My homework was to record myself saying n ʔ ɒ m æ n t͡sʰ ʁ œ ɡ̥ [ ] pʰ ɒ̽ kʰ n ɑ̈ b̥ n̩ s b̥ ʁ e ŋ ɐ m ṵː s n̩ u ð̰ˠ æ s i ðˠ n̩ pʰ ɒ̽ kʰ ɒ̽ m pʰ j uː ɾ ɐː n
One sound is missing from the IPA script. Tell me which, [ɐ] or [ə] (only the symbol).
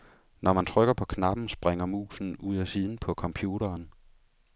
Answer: ɐ